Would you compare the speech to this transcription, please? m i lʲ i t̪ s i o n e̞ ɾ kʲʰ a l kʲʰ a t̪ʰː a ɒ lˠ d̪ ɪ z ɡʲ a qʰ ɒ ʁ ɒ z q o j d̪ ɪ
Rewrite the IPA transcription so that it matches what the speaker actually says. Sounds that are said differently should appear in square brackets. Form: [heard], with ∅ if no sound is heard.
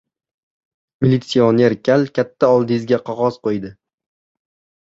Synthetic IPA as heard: m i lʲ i t̪ s i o n e̞ ɾ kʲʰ a l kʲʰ a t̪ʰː a ɒ lˠ d̪ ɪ z ɡʲ a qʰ ɒ ʁ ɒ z q o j d̪ ɪ